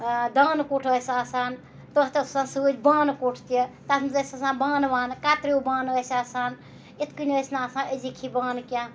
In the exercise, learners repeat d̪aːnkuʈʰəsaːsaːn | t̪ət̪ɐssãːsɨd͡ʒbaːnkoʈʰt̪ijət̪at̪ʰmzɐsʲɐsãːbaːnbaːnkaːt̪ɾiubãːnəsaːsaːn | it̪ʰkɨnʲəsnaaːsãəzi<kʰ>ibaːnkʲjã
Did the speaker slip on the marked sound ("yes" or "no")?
no